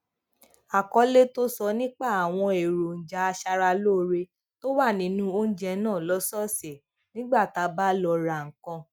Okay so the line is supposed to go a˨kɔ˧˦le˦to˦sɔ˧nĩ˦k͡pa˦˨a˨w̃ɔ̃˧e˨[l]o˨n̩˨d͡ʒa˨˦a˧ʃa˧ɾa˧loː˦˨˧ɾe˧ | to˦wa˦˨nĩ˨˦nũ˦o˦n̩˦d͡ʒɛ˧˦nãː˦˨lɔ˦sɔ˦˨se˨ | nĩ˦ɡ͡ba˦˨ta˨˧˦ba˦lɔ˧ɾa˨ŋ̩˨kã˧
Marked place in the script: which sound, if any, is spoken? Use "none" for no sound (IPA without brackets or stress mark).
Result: ɾ